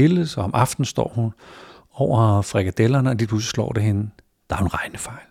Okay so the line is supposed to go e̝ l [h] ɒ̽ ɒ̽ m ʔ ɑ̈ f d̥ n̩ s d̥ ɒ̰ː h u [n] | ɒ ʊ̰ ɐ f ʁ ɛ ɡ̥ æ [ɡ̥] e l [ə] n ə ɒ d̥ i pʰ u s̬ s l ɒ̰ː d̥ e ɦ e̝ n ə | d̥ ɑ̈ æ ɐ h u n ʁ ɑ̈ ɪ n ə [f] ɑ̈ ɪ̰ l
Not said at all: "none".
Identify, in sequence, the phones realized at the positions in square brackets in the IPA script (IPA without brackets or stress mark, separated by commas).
s, n, d̥, ɐ, f